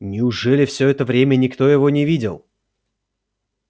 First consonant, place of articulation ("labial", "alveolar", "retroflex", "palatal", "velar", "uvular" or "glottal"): alveolar